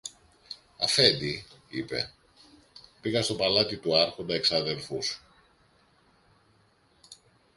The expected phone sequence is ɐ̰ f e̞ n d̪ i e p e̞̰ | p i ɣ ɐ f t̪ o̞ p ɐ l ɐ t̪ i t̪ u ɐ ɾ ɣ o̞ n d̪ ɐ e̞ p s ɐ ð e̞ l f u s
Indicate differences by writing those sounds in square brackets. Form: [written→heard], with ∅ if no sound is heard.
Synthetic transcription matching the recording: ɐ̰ f e̞ n d̪ i [e→i] p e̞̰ | p i ɣ ɐ [f→s] t̪ o̞ p ɐ l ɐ t̪ i t̪ u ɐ ɾ [ɣ→x] o̞ n d̪ ɐ e̞ [p→k] s ɐ ð e̞ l f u s

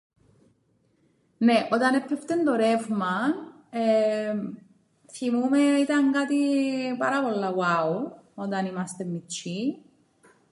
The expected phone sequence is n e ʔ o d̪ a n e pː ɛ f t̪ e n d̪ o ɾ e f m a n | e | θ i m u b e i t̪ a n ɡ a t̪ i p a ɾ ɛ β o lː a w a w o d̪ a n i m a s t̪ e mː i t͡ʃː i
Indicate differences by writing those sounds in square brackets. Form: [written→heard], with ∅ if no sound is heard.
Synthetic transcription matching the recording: n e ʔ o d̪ a n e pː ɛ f t̪ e n d̪ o ɾ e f m a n | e | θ i m u [b→m] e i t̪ a [n→ŋ] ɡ a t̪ i p a ɾ [ɛ→a] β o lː a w a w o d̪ a n i m a s t̪ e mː i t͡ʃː i

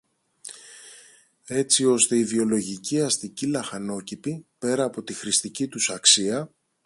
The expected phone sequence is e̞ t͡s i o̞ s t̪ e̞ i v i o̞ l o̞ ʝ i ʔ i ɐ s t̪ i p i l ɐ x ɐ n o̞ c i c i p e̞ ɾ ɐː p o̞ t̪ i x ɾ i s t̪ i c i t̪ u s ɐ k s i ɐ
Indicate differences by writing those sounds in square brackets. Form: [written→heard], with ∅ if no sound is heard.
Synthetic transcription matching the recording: e̞ t͡s i o̞ s t̪ e̞ i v i o̞ l o̞ ʝ i [ʔ→c] i ɐ s t̪ i [p→c] i l ɐ x ɐ n o̞ c i [c→p] i p e̞ ɾ ɐː p o̞ t̪ i x ɾ i s t̪ i c i t̪ u s ɐ k s i ɐ

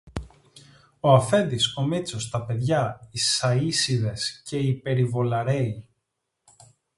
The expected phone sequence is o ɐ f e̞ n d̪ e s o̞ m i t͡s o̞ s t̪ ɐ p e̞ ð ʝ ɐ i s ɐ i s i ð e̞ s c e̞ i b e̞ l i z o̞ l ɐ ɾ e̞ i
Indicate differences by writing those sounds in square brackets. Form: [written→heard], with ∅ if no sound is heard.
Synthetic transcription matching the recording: o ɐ f e̞ n d̪ [e→i] s o̞ m i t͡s o̞ s t̪ ɐ p e̞ ð ʝ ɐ i s ɐ i s i ð e̞ s c e̞ i [b→p] e̞ [l→ɾ] i [z→v] o̞ l ɐ ɾ e̞ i

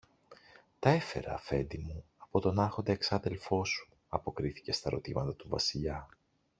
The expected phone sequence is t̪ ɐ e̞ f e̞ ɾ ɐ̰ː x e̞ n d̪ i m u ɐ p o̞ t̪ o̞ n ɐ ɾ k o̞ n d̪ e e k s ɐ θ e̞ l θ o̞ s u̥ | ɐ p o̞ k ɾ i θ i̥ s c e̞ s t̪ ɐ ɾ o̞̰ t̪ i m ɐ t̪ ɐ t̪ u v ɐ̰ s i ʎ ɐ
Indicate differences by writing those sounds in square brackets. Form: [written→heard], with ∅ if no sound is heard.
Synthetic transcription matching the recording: t̪ ɐ e̞ f e̞ ɾ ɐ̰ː [x→f] e̞ n d̪ i m u ɐ p o̞ t̪ o̞ n ɐ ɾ [k→x] o̞ n d̪ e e k s ɐ [θ→ð] e̞ l [θ→f] o̞ s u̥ | ɐ p o̞ k ɾ i θ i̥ [s→∅] c e̞ s t̪ ɐ ɾ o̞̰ t̪ i m ɐ t̪ ɐ t̪ u v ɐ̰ s i ʎ ɐ

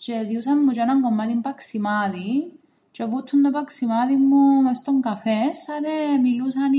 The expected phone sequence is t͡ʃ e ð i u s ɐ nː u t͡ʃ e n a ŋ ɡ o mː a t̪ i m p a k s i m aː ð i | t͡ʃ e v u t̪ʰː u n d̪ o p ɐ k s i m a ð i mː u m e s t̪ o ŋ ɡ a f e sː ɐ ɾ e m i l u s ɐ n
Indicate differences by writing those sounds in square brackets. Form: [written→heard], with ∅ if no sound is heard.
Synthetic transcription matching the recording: t͡ʃ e ð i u s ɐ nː u t͡ʃ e n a ŋ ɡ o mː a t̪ i m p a k s i m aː ð i | t͡ʃ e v u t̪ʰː u n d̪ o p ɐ k s i m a ð i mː u m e s t̪ o ŋ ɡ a f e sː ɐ ɾ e m i l u s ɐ n

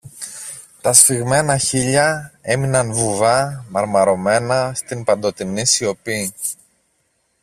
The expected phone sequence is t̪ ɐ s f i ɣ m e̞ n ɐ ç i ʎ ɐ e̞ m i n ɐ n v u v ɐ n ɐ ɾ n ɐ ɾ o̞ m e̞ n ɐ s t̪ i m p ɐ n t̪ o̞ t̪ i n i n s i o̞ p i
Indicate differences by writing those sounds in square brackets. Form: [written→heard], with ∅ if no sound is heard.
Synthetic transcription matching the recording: t̪ ɐ s f i ɣ m e̞ n ɐ ç i ʎ ɐ e̞ m i n ɐ n v u v ɐ [n→m] ɐ ɾ [n→m] ɐ ɾ o̞ m e̞ n ɐ s t̪ i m p ɐ n [t̪→d̪] o̞ t̪ i n i [n→∅] s i o̞ p i

